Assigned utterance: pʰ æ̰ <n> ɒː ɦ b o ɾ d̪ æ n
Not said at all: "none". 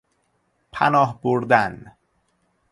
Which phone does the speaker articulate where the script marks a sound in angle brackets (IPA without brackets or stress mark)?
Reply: n